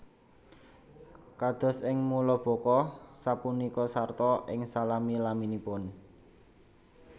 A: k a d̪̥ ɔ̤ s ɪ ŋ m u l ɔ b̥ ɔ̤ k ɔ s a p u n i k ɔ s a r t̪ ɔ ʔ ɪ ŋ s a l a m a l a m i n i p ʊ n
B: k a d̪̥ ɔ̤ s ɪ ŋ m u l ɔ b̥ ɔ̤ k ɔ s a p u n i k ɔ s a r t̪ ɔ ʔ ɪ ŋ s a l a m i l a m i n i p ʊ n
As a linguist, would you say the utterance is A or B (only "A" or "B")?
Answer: B